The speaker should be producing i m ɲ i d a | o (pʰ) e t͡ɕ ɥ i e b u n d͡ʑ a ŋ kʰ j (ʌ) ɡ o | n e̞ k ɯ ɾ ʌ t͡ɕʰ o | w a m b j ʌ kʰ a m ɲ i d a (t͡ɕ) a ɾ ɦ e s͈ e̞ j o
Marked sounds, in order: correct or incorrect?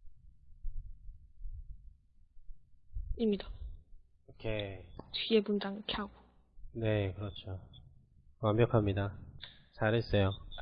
incorrect, incorrect, correct

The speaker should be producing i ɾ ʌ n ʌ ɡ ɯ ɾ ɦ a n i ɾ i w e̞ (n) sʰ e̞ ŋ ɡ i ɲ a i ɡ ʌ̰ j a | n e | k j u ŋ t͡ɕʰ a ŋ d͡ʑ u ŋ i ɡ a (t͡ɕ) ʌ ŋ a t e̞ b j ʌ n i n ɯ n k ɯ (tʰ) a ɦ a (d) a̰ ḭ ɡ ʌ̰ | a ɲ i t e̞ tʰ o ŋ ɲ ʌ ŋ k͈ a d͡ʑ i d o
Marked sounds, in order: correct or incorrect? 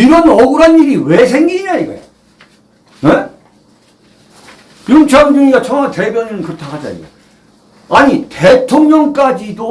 incorrect, incorrect, correct, incorrect

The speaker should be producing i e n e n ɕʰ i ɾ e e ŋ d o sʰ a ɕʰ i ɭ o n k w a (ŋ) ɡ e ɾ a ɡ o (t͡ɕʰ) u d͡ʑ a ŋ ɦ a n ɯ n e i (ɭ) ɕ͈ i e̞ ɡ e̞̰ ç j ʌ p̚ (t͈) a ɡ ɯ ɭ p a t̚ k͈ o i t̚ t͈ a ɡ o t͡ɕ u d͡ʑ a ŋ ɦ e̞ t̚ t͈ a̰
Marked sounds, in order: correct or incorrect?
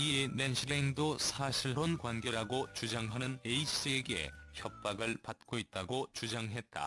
incorrect, incorrect, incorrect, incorrect

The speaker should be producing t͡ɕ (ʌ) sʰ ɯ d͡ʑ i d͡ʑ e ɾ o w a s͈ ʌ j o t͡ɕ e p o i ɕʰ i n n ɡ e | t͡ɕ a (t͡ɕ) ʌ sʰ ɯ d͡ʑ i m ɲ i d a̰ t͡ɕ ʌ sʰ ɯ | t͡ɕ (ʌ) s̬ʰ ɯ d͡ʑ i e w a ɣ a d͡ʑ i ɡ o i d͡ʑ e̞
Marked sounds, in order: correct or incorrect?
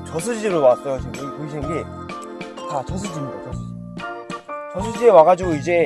correct, correct, correct

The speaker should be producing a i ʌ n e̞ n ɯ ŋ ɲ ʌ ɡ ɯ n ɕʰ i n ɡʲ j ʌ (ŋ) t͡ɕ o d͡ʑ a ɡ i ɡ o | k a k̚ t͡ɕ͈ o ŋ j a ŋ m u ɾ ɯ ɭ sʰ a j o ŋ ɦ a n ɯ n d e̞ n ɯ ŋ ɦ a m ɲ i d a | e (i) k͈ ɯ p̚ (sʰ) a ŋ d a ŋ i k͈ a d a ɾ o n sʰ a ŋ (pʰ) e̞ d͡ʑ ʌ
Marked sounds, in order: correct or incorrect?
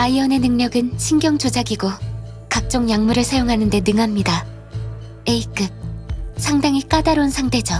correct, correct, correct, incorrect

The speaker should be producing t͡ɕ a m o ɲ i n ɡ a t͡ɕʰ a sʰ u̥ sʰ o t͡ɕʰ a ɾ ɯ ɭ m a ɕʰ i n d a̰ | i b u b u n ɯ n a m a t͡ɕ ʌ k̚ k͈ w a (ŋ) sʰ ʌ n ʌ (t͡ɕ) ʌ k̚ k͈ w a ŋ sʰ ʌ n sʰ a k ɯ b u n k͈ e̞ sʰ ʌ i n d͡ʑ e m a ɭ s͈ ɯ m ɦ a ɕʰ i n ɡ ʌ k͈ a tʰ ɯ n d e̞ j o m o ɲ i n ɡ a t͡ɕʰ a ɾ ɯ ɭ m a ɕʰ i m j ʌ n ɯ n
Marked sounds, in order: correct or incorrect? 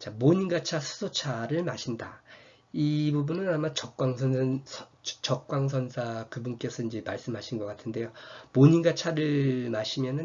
correct, correct

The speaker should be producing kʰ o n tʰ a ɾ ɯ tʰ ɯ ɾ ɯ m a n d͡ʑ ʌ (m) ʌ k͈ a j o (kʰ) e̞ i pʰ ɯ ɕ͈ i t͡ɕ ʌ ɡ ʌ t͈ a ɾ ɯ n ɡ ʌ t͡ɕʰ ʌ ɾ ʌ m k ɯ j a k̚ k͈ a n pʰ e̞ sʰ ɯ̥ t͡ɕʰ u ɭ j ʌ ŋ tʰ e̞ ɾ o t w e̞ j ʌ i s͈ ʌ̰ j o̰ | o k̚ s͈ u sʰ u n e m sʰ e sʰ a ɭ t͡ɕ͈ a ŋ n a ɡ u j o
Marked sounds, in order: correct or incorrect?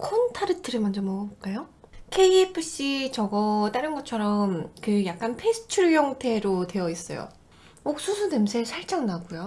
correct, correct

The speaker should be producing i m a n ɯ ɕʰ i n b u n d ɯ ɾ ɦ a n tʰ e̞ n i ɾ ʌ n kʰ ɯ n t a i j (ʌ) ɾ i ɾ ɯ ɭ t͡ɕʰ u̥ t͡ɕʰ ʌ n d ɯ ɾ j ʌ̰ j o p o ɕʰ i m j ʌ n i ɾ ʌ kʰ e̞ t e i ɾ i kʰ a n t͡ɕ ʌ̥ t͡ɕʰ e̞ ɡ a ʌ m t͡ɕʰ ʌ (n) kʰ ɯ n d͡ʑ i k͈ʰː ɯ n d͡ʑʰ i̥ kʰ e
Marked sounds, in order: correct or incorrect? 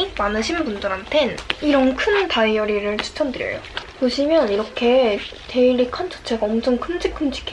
correct, incorrect

